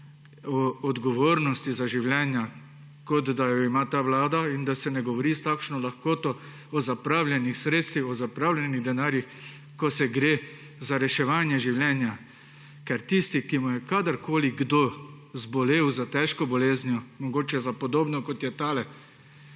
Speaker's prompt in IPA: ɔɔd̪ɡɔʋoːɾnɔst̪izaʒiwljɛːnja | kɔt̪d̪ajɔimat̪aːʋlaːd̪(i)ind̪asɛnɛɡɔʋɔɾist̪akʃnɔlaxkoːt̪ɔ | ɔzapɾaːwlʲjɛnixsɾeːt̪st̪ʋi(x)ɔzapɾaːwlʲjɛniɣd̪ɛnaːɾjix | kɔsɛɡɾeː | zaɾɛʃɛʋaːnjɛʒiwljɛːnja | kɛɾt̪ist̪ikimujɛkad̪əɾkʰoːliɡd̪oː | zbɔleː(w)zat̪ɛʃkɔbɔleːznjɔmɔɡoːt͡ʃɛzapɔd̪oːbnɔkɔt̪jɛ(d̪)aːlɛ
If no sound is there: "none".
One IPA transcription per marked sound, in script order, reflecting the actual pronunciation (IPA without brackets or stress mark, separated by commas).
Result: a, x, w, t̪